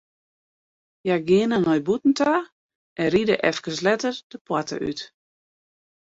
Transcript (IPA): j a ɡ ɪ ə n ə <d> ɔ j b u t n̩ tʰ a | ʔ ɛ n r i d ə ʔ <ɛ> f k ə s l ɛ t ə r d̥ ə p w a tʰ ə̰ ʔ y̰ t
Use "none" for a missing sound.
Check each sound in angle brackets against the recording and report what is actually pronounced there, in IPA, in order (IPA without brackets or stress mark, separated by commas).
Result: n, ɛ